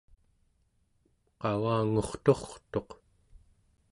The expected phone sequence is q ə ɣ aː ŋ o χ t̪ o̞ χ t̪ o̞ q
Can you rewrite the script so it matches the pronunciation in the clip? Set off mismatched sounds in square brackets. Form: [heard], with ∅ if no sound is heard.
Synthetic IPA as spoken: q [ɑ] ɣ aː ŋ o χ t̪ o̞ χ t̪ o̞ q